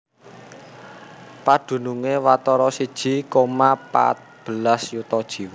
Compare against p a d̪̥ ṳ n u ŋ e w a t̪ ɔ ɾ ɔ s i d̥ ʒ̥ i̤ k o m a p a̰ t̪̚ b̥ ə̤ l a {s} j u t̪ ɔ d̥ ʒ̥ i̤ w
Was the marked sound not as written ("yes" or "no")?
no